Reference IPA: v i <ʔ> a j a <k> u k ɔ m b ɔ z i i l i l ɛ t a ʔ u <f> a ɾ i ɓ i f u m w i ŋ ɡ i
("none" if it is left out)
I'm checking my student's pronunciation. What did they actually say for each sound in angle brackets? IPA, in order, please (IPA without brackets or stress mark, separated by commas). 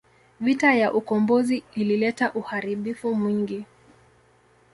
t, ʔ, h